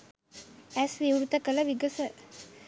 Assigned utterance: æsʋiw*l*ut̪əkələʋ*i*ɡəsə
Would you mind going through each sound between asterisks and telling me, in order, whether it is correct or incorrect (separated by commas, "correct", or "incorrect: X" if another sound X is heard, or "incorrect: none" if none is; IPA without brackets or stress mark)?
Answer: incorrect: ɾ, correct